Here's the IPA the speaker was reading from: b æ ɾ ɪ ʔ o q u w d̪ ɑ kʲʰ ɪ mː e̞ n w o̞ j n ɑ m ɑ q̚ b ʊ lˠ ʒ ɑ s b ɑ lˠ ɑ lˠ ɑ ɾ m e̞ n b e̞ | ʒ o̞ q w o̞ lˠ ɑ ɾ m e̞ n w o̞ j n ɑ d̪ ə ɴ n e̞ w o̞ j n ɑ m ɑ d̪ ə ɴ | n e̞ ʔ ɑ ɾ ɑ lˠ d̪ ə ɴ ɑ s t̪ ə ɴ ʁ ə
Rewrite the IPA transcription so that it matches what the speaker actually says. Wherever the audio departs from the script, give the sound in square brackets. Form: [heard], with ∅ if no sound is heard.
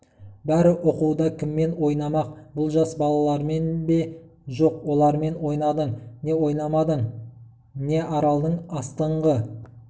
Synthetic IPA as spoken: b æ ɾ ɪ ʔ o q u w d̪ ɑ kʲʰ ɪ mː e̞ n w o̞ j n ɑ m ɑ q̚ b ʊ lˠ ʒ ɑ s b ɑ lˠ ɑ lˠ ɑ ɾ m e̞ n b e̞ | ʒ o̞ q w o̞ lˠ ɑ ɾ m e̞ n w o̞ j n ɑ d̪ ə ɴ n e̞ w o̞ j n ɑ m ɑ d̪ ə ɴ | n e̞ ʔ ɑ ɾ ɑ lˠ d̪ ə ɴ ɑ s t̪ ə ɴ ʁ ə